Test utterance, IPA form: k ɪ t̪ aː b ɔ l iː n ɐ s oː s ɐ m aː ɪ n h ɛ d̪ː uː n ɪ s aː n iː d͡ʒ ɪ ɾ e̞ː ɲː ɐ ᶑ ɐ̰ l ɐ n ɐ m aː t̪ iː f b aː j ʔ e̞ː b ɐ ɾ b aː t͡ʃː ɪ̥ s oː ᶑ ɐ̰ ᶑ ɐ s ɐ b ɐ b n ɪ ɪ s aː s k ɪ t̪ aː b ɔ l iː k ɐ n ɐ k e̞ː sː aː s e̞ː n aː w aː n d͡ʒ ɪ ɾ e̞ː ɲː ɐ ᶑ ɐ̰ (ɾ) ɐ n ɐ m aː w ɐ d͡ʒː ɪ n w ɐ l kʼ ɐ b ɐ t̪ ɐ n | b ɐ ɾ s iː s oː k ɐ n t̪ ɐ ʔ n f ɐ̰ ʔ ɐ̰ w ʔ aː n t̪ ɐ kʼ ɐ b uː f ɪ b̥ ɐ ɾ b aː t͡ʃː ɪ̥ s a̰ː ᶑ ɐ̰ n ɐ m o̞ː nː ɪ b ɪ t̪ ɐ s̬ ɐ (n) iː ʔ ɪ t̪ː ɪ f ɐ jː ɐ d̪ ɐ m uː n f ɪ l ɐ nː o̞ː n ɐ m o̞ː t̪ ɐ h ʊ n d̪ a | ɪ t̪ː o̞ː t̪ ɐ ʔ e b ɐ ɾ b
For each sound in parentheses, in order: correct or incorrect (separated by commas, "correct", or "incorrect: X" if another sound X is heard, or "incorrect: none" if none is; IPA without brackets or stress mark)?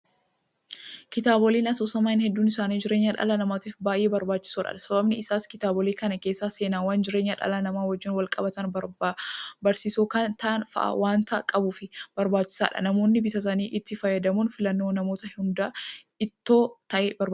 incorrect: l, correct